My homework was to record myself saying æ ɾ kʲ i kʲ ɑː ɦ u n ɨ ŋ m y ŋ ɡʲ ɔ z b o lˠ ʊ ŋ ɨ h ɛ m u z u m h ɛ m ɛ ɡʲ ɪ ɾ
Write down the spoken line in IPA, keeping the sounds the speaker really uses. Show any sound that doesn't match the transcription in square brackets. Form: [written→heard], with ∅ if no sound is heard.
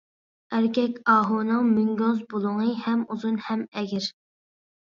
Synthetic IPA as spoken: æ ɾ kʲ [i→ɛ] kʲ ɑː ɦ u n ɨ ŋ m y ŋ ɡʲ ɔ z b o lˠ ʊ ŋ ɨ h ɛ m u z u [m→n] h ɛ m ɛ ɡʲ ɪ ɾ

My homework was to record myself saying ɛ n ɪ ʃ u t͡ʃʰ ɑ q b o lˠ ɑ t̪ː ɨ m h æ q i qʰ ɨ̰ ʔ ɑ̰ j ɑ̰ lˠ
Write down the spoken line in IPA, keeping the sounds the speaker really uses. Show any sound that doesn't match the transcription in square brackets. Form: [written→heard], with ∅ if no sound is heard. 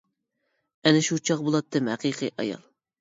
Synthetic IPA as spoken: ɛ n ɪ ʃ u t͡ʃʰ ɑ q b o lˠ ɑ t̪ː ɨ m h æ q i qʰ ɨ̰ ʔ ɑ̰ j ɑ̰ lˠ

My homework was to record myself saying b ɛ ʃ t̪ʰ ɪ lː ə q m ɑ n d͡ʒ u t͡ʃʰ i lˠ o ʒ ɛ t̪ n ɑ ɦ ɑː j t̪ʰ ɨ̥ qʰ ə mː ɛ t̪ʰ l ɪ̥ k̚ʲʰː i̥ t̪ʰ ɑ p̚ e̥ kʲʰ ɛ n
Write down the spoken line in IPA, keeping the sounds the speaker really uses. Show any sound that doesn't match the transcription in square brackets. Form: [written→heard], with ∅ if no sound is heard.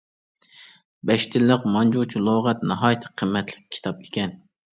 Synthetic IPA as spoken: b ɛ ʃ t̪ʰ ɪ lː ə q m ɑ n d͡ʒ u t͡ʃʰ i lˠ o [ʒ→ʁ] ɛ t̪ n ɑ ɦ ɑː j t̪ʰ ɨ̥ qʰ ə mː ɛ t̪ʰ l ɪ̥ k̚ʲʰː i̥ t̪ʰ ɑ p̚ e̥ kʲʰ ɛ n

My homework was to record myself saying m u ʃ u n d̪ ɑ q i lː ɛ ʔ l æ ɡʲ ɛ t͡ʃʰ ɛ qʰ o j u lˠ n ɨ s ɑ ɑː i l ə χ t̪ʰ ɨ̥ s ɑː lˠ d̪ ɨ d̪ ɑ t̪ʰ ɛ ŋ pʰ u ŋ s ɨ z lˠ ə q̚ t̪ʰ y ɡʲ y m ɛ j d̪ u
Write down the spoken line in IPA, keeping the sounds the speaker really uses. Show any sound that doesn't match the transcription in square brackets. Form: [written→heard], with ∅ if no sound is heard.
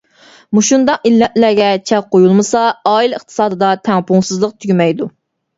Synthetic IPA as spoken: m u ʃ u n d̪ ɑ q i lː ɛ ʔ l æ ɡʲ ɛ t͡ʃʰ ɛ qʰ o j u lˠ [n→m] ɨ s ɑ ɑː i l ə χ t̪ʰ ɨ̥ s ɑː [lˠ→∅] d̪ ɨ d̪ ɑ t̪ʰ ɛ ŋ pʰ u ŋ s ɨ z lˠ ə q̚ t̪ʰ y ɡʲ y m ɛ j d̪ u

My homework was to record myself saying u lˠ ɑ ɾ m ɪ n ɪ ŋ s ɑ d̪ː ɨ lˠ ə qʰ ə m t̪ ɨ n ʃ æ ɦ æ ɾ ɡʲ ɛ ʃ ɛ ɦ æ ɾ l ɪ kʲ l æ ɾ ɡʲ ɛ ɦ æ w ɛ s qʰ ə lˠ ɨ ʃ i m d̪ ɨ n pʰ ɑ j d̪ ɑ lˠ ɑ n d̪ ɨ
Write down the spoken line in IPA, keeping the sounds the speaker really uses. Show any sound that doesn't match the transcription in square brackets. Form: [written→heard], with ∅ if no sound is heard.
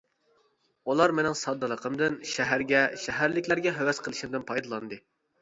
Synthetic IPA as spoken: u lˠ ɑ ɾ m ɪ n ɪ ŋ s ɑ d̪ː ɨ lˠ ə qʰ ə m [t̪→d̪] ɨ n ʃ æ ɦ æ ɾ ɡʲ ɛ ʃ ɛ ɦ æ ɾ l ɪ kʲ l æ ɾ ɡʲ ɛ ɦ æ w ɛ s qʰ ə lˠ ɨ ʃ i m d̪ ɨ n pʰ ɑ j d̪ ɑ lˠ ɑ n d̪ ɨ

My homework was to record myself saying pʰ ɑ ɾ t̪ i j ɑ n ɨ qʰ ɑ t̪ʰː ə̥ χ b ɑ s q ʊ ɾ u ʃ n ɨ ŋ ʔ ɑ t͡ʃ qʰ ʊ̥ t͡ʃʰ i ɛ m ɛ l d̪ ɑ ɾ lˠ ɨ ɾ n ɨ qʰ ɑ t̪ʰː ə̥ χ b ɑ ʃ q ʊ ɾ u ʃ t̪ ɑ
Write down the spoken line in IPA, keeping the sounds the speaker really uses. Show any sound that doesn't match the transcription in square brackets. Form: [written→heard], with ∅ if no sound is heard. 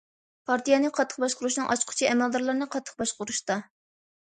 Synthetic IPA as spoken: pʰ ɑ ɾ t̪ i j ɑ n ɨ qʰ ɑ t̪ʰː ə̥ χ b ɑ [s→ʃ] q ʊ ɾ u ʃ n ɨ ŋ ʔ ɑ t͡ʃ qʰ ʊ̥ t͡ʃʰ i ɛ m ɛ l d̪ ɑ ɾ lˠ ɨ ɾ n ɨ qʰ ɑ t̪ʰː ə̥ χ b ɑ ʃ q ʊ ɾ u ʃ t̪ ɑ

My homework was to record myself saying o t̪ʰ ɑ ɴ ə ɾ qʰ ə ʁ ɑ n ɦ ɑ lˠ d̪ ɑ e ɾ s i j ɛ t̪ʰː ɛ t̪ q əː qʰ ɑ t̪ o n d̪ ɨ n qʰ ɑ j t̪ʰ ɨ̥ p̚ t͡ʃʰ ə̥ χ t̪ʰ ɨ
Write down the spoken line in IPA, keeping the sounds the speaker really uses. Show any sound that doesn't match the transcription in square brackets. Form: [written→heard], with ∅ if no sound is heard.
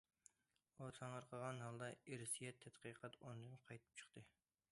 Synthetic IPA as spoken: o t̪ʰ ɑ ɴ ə ɾ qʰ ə ʁ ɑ n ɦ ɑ lˠ d̪ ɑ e ɾ s i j ɛ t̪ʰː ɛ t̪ q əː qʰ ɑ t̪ o n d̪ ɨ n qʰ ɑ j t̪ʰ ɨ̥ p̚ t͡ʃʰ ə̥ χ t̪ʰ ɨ

